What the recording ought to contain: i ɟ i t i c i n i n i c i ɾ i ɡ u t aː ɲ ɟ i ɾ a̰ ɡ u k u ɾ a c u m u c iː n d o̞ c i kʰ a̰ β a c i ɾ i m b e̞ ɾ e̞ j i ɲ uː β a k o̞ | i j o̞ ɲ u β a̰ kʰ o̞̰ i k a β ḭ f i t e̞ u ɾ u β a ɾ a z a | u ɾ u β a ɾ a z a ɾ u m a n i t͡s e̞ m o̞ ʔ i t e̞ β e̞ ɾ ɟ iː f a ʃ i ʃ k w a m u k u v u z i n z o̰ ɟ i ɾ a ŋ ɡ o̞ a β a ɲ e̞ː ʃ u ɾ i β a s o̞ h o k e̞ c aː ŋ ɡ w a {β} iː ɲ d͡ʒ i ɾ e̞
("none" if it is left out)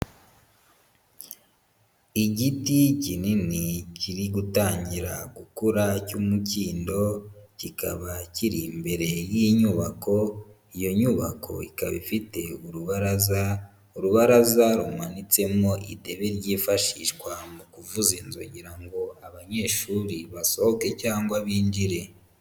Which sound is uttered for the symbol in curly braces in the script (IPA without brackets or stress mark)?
β